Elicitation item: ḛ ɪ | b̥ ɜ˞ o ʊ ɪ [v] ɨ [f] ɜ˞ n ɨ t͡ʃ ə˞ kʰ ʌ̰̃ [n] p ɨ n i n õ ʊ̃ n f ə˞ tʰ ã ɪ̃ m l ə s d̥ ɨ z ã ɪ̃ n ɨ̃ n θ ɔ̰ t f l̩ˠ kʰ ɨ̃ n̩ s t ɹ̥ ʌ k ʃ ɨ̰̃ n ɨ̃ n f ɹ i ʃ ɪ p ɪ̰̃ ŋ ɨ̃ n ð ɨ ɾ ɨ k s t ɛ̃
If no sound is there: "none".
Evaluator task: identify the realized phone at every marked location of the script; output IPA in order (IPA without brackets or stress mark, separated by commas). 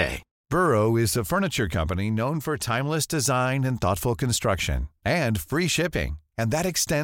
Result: z, f, m